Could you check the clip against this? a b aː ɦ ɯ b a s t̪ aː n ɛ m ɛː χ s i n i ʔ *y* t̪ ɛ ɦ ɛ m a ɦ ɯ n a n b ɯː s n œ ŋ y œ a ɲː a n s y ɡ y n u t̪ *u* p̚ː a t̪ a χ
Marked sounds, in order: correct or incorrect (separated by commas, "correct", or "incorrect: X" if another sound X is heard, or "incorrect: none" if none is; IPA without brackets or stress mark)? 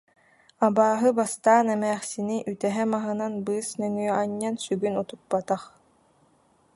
correct, correct